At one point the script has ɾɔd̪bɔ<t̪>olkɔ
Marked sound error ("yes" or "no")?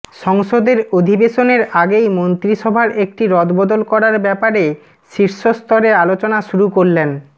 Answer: yes